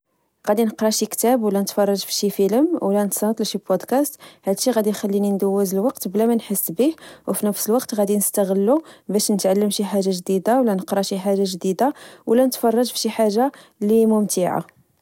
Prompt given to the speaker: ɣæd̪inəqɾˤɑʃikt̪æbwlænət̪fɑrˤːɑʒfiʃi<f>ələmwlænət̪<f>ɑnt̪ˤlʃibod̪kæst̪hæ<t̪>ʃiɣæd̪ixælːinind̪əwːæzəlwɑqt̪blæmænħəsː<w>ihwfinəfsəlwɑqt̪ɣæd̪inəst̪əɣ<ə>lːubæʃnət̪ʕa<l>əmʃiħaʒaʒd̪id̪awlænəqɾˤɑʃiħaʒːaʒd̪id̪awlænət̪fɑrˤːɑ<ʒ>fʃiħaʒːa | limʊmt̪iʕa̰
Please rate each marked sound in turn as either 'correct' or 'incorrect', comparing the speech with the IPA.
correct, incorrect: s, incorrect: d̪, incorrect: b, correct, incorrect: lː, correct

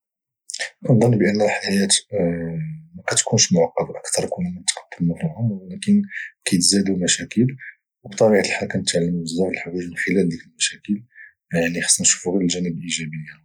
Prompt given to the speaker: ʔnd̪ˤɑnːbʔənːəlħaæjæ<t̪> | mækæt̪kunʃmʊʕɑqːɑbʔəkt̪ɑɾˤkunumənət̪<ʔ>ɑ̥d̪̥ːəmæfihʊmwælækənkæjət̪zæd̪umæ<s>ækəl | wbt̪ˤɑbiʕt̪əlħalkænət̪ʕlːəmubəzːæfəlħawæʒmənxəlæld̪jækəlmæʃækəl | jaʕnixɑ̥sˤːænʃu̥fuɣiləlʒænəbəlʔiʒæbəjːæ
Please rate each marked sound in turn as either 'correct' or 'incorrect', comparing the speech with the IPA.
correct, incorrect: q, incorrect: ʃ

